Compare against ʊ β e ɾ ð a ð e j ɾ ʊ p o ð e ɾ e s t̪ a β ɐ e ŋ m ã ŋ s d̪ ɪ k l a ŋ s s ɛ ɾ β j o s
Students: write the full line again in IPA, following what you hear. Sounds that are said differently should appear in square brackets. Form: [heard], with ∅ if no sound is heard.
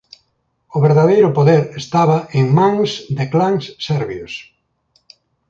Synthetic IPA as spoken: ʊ β e ɾ ð a ð e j ɾ ʊ p o ð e ɾ e s t̪ a β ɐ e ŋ m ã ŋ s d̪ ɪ k l a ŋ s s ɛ ɾ β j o s

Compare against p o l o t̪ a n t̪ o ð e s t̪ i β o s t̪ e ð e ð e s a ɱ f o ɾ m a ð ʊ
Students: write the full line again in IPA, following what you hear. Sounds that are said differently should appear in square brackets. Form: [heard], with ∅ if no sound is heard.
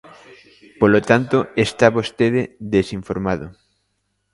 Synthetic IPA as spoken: p o l o t̪ a n t̪ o [∅] e s t̪ [a] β o s t̪ e ð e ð e s [i] ɱ f o ɾ m a ð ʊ

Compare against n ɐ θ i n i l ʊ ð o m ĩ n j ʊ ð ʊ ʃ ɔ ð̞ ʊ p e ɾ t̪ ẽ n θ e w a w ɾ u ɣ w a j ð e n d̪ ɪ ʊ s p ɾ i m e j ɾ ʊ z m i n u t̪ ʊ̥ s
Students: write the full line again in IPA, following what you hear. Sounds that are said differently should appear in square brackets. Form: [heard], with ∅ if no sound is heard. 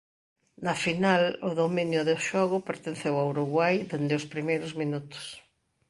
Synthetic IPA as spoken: n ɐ [f] i n [a] l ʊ ð o m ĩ n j ʊ ð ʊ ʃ ɔ [ɣ̞] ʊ p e ɾ t̪ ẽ n θ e w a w ɾ u ɣ w a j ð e n d̪ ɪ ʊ s p ɾ i m e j ɾ ʊ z m i n u t̪ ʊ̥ s

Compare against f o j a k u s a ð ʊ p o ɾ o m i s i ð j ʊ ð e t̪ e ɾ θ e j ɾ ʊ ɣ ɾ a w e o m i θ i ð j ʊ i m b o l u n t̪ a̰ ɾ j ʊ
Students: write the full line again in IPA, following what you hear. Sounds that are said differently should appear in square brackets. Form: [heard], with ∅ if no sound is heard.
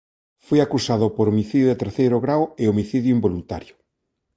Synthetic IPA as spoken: f o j a k u s a ð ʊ p o ɾ o m i [θ] i ð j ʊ ð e t̪ e ɾ θ e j ɾ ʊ ɣ ɾ a w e o m i θ i ð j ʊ i m b o l u n t̪ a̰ ɾ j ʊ

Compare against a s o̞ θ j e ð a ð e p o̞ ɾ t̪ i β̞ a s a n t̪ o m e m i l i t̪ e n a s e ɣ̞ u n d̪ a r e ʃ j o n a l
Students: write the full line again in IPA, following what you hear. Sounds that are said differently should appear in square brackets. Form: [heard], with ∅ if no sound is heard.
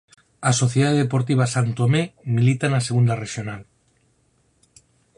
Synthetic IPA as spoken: a s o̞ θ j e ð a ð e p o̞ ɾ t̪ i β̞ a s a n t̪ o m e m i l i t̪ [a] n a s e ɣ̞ u n d̪ a r e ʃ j o n a l

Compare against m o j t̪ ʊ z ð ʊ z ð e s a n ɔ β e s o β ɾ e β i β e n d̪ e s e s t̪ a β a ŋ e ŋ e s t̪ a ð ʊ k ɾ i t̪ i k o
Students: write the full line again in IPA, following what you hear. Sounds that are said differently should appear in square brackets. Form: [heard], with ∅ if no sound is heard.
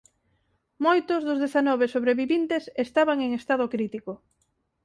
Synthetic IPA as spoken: m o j t̪ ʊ z ð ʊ z ð e [θ] a n ɔ β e s o β ɾ e β i β [i] n [t̪] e s e s t̪ a β a ŋ e ŋ e s t̪ a ð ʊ k ɾ i t̪ i k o

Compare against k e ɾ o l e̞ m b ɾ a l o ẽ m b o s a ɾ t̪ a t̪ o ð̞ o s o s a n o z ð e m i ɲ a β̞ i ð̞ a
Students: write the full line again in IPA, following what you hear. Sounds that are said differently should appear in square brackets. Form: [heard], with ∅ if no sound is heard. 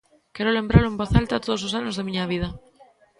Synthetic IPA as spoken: k e ɾ o l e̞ m b ɾ a l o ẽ m b o [θ] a [l] t̪ a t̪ o ð̞ o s o s a n o z ð e m i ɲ a β̞ i ð̞ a

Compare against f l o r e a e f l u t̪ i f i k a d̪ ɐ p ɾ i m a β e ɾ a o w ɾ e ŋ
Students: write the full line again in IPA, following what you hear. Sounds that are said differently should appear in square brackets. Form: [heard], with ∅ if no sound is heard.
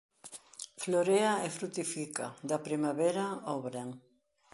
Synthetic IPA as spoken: f l o [ɾ] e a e f [ɾ] u t̪ i f i k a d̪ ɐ p ɾ i m a β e ɾ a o [β] ɾ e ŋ

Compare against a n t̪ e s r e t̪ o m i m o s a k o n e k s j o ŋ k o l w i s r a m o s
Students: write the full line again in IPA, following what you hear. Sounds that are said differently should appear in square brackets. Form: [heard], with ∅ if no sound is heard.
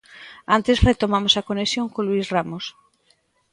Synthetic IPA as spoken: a n t̪ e s r e t̪ o m [a] m o s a k o n e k s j o ŋ k o l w i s r a m o s

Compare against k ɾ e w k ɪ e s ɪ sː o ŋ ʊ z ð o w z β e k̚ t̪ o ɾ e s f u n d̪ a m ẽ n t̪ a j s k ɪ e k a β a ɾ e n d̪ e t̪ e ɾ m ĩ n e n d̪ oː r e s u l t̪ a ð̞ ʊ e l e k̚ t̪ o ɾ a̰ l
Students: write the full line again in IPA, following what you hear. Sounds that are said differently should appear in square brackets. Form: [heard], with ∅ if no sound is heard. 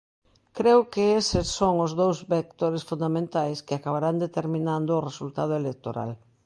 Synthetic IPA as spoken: k ɾ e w k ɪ e s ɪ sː o ŋ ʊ z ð o w z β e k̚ t̪ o ɾ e s f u n d̪ a m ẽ n t̪ a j s k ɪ [a] k a β a ɾ [a] n d̪ e t̪ e ɾ m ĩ n [a] n d̪ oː r e s u l t̪ a ð̞ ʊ e l e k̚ t̪ o ɾ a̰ l

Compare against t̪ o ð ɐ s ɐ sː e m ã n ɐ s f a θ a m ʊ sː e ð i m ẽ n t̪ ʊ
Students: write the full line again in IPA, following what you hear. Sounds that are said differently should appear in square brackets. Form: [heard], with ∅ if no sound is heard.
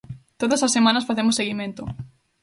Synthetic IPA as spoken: t̪ o ð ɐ s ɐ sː e m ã n ɐ s f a θ [e] m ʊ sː e [ɣ] i m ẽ n t̪ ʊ

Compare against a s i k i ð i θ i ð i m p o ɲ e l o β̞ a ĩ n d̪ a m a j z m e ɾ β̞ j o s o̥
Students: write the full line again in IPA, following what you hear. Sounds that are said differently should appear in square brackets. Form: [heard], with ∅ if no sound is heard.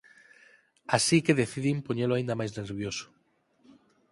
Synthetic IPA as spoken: a s i k [e] ð [e] θ i ð i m p o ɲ e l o [∅] a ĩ n d̪ a m a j z [n] e ɾ β̞ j o s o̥

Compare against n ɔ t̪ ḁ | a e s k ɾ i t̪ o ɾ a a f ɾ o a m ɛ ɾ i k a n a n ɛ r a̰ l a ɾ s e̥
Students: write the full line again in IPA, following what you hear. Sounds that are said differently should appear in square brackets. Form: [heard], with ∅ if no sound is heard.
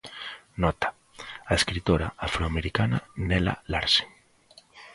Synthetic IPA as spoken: n ɔ t̪ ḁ | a e s k ɾ i t̪ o ɾ a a f ɾ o a m [e] ɾ i k a n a n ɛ [l] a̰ l a ɾ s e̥

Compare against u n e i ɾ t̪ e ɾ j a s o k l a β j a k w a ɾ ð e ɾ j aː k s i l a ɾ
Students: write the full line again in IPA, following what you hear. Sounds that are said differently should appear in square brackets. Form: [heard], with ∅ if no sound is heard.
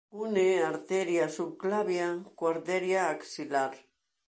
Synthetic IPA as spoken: u n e [a] ɾ t̪ e ɾ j a s [u] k l a β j a k w a ɾ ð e ɾ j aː k s i l a ɾ

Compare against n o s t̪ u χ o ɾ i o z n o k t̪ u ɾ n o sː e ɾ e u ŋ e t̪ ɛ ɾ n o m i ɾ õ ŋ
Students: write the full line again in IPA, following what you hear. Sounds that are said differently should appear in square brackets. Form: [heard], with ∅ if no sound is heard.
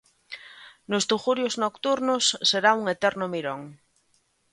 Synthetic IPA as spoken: n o s t̪ u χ [u] ɾ [j] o z n o k t̪ u ɾ n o sː e ɾ [a] u ŋ e t̪ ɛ ɾ n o m i ɾ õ ŋ

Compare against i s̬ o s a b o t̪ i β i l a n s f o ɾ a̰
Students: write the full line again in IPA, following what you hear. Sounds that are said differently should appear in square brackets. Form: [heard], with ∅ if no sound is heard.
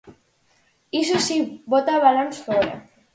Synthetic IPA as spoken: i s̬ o s [i] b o t̪ [a] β [a] l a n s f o ɾ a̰

